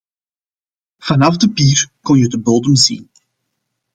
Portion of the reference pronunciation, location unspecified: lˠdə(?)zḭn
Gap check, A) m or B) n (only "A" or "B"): A